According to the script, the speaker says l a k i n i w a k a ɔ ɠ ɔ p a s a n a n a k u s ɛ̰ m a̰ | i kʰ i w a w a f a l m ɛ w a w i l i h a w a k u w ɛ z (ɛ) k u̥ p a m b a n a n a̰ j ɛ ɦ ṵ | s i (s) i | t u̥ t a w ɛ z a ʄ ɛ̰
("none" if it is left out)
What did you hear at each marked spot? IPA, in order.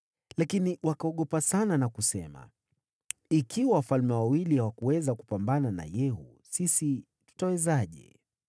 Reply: a, s

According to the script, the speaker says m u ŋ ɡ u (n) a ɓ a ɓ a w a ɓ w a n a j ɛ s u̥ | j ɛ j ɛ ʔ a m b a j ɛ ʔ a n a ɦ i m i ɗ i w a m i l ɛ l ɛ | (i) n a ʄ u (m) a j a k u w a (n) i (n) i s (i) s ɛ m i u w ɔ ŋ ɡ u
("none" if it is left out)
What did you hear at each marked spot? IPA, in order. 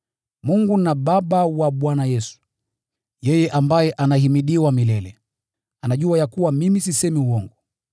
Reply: n, a, none, m, m, i

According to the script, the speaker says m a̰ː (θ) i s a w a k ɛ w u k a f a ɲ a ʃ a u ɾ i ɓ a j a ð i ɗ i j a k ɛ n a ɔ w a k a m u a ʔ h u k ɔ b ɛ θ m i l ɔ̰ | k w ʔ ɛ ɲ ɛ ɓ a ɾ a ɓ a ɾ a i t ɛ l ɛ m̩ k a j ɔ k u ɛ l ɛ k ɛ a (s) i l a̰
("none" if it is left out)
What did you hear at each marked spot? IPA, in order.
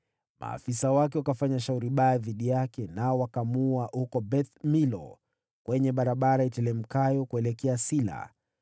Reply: f, s

